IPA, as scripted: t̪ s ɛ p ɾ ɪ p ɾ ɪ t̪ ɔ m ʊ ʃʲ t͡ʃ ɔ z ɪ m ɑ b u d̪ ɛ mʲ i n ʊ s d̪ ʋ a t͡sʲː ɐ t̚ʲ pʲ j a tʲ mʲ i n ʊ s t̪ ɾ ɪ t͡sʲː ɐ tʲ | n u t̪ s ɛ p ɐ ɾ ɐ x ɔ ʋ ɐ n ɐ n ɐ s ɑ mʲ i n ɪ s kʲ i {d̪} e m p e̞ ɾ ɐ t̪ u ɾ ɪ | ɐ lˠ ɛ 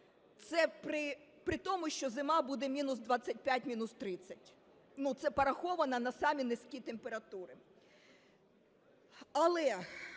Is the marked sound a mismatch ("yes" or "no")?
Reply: yes